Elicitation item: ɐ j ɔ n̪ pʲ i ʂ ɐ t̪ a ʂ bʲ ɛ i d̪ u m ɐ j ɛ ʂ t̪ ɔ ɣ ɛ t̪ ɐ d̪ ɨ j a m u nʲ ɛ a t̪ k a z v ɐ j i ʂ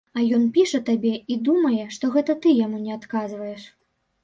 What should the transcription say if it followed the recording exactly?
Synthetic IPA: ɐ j ɔ n̪ pʲ i ʂ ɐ t̪ a bʲ ɛ i d̪ u m ɐ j ɛ ʂ t̪ ɔ ɣ ɛ t̪ ɐ t̪ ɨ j a m u nʲ ɛ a t̪ k a z v ɐ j ɛ ʂ